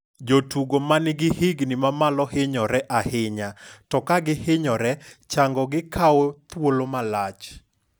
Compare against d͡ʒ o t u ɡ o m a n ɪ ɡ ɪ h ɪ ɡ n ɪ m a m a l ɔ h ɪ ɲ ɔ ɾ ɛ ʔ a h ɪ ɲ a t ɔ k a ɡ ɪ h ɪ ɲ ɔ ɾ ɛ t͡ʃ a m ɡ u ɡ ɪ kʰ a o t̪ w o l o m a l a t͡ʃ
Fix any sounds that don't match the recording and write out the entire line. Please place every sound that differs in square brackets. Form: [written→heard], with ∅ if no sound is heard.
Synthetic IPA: d͡ʒ o t u ɡ o m a n ɪ ɡ ɪ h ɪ ɡ n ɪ m a m a l ɔ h ɪ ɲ ɔ ɾ ɛ ʔ a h ɪ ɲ a t ɔ k a ɡ ɪ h ɪ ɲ ɔ ɾ ɛ t͡ʃ a [m→ŋ] ɡ [u→ɔ] ɡ ɪ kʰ a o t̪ w o l o m a l a t͡ʃ